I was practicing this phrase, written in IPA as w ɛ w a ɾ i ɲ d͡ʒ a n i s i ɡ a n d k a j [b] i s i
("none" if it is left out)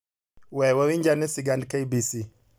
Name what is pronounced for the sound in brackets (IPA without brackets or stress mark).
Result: b